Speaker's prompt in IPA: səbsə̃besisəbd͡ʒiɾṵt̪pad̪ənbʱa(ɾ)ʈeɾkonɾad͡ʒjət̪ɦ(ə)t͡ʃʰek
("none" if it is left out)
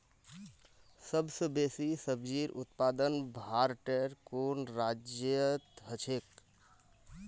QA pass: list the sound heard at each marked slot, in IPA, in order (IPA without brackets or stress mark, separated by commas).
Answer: ɾ, ə